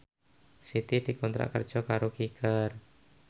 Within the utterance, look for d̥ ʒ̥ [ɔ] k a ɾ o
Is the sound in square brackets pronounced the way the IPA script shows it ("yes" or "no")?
yes